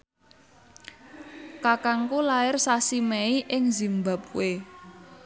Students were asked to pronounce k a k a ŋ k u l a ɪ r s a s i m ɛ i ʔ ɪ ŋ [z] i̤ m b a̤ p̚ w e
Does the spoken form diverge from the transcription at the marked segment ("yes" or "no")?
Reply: no